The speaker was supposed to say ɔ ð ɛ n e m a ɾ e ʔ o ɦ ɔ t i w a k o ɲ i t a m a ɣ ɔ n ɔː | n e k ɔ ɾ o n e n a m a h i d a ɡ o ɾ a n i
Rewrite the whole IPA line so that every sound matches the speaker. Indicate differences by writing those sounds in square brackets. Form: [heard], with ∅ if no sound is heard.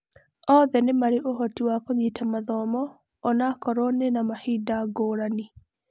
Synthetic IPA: ɔ ð ɛ n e m a ɾ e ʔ o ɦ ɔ t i w a k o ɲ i t a m a [ð] ɔ [m] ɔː | n [a] k ɔ ɾ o n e n a m a h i d a ɡ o ɾ a n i